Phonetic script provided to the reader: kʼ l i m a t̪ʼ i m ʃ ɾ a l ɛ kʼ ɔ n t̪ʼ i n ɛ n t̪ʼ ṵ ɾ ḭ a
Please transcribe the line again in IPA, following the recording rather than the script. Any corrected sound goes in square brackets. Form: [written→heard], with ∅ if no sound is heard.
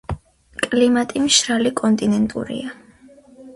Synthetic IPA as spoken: kʼ l i m a t̪ʼ i m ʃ ɾ a l [ɛ→i] kʼ ɔ n t̪ʼ i n ɛ n t̪ʼ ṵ ɾ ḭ a